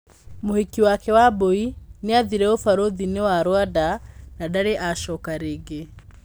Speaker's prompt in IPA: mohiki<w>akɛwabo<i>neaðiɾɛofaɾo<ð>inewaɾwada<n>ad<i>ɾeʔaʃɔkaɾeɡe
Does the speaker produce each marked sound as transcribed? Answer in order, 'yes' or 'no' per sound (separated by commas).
yes, yes, yes, yes, no